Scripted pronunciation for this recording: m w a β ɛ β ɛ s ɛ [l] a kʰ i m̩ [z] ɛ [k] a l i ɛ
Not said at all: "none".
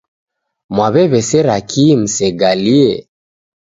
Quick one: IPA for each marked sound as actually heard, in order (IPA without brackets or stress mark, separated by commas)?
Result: ɾ, s, ɡ